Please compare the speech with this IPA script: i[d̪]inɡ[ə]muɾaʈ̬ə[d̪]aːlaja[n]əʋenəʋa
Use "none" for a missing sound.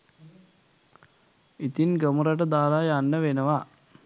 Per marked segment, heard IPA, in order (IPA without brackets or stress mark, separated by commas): t̪, ə, d̪, nː